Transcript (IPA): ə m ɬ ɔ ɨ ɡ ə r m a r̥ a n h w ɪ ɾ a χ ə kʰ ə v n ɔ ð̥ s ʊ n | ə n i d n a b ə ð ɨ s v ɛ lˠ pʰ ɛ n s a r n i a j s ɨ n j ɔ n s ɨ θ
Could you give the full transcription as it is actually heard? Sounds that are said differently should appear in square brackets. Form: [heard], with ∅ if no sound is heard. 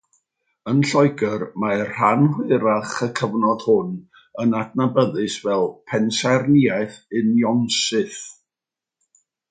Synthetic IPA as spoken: ə [n] ɬ ɔ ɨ ɡ ə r m a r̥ a n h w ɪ ɾ a χ ə kʰ ə v n ɔ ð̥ [h] ʊ n | ə n [a] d n a b ə ð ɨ s v ɛ lˠ pʰ ɛ n s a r n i a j [θ] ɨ n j ɔ n s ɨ θ